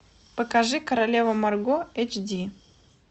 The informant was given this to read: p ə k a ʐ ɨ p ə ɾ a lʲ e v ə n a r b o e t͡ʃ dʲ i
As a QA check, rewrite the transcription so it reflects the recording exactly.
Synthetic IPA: p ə k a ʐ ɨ k ə ɾ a lʲ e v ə m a r ɡ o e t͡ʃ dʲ i